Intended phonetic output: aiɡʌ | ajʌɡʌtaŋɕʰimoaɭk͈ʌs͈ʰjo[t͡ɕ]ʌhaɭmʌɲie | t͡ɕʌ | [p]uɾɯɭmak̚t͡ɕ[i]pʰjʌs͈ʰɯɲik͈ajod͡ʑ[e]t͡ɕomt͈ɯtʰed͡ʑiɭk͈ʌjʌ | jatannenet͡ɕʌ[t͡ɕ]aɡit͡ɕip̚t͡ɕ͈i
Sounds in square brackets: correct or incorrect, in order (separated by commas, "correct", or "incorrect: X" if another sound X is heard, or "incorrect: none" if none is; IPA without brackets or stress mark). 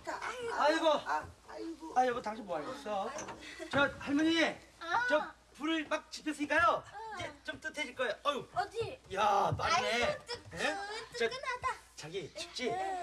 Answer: correct, correct, correct, correct, correct